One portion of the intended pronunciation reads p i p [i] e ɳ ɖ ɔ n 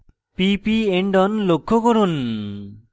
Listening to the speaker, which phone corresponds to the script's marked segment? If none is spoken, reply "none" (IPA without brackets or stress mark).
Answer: i